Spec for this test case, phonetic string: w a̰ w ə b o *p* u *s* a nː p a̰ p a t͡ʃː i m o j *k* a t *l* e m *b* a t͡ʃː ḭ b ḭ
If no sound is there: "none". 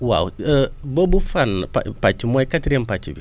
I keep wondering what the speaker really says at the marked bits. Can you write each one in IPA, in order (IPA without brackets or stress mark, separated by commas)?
b, f, k, ɾ, p